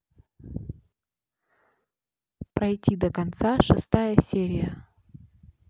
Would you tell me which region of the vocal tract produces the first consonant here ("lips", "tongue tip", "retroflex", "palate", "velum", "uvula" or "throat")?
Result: lips